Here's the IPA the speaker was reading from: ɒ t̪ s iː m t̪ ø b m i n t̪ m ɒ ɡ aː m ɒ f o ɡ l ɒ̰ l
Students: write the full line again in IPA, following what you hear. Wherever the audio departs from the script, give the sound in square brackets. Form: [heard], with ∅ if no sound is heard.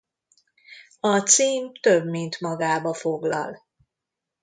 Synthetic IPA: ɒ t̪ s iː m t̪ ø b m i n t̪ m ɒ ɡ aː [b] ɒ f o ɡ l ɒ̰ l